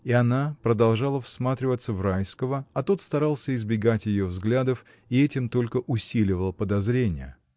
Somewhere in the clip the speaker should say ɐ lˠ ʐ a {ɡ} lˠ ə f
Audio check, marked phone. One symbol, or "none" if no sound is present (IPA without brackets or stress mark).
none